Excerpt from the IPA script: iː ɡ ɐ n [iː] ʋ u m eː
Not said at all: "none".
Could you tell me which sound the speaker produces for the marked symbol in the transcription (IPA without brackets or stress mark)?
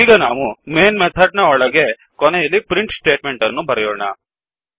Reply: aː